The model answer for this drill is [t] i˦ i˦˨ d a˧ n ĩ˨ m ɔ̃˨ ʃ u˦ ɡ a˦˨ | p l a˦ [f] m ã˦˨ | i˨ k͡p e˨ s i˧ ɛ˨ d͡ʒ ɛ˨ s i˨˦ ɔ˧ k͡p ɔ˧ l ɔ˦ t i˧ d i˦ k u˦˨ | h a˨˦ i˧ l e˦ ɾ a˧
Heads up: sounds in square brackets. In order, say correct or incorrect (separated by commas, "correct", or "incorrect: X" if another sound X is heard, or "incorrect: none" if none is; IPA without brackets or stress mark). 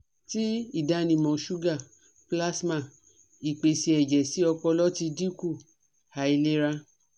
correct, incorrect: s